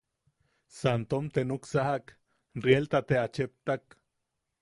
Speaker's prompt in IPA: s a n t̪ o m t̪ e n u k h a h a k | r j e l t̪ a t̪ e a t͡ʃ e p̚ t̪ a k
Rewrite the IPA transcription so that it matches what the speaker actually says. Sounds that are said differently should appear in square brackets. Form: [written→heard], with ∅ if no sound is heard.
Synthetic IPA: s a n t̪ o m t̪ e n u k [h→s] a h a k | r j e l t̪ a t̪ e a t͡ʃ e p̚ t̪ a k

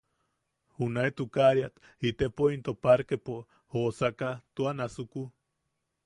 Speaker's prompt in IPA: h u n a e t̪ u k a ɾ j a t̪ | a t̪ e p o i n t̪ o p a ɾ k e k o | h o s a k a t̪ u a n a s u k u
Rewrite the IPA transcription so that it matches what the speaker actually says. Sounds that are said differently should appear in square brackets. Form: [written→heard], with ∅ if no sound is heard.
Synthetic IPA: h u n a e t̪ u k a ɾ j a t̪ | [a→i] t̪ e p o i n t̪ o p a ɾ k e [k→p] o | h o s a k a t̪ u a n a s u k u

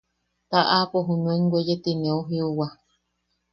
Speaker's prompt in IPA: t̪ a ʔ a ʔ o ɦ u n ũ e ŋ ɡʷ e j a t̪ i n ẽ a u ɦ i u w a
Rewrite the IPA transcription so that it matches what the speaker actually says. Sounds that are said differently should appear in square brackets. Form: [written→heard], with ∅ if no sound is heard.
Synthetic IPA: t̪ a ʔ a [ʔ→p] o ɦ u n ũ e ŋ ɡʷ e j [a→e] t̪ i n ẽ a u ɦ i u w a

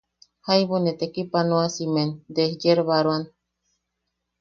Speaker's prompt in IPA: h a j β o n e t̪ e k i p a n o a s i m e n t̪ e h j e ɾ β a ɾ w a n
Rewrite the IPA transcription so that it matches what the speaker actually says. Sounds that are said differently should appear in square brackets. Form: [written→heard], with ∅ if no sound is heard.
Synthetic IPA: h a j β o n e t̪ e k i p a n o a s i m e n [t̪→d̪] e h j e ɾ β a ɾ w a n

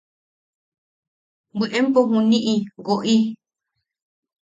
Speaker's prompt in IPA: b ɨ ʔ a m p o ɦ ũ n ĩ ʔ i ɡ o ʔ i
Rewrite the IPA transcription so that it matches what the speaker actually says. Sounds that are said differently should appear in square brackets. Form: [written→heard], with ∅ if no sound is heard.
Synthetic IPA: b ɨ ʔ [a→e] m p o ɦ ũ n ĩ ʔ i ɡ o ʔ i

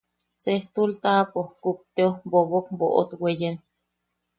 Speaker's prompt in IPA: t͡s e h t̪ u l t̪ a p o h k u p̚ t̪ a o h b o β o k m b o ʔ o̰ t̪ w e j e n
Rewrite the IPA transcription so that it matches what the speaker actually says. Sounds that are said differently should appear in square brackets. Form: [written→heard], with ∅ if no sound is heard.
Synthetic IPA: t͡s e h t̪ u l t̪ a p o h k u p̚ t̪ [a→e] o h b o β o k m b o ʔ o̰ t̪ w e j e n

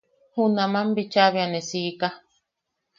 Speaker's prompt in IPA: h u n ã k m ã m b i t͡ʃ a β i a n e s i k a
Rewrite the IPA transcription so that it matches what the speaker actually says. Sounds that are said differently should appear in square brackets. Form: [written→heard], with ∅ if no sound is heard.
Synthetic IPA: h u n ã [k→∅] m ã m b i t͡ʃ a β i a n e s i k a

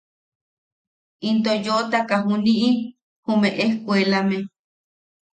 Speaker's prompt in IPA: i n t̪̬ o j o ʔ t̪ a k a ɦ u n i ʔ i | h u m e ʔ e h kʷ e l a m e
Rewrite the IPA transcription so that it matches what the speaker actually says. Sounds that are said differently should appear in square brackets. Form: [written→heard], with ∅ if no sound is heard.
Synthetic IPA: i n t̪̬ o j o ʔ t̪ a k a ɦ u n i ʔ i | h u m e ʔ e h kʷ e l a m e

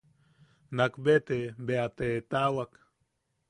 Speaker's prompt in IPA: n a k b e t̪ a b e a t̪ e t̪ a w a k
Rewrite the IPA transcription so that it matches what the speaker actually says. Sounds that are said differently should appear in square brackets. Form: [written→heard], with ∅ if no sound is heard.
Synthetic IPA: n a k b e t̪ [a→e] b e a t̪ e t̪ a w a k

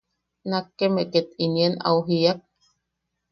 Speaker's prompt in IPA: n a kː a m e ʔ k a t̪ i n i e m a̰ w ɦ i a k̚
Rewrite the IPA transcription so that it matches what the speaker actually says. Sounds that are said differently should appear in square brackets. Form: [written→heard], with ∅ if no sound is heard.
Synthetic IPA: n a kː [a→e] m e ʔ k [a→e] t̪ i n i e [m→n] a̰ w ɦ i a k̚

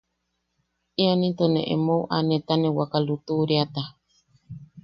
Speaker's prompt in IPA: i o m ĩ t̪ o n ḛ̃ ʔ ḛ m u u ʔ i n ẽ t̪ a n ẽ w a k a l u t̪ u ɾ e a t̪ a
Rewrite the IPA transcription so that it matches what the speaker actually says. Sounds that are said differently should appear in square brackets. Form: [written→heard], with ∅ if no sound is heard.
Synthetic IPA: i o [m→n] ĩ t̪ o n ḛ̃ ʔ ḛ m [u→o] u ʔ [i→a] n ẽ t̪ a n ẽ w a k a l u t̪ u ɾ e a t̪ a

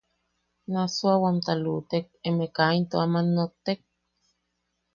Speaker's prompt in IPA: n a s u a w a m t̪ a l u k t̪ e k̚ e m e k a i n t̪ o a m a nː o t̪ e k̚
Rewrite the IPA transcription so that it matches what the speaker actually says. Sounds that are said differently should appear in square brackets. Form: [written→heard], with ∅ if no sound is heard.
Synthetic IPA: n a s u a w a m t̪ a l u [k→∅] t̪ e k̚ e m e k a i n t̪ o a m a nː o t̪ e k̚

